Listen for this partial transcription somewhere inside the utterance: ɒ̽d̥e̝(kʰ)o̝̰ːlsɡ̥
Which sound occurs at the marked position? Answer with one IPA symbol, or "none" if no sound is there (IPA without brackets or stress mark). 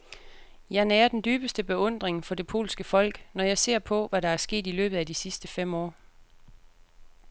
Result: pʰ